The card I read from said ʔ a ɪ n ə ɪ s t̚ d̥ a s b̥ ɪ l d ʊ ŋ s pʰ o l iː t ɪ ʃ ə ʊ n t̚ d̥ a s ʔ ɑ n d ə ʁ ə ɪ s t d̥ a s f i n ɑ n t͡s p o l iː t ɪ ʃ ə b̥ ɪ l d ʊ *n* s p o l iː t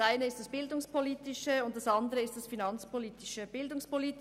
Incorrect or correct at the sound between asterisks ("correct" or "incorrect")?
incorrect